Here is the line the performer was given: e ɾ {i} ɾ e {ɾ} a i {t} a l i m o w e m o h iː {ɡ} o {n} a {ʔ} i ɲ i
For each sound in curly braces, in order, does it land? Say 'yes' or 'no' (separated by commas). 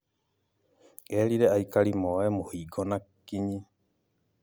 yes, no, no, yes, yes, no